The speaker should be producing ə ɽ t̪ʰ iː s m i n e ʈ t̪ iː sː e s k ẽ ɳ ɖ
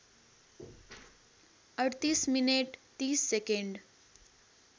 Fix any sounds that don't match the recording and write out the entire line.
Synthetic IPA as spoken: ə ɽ t̪ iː s m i n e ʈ t̪ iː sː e k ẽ ɳ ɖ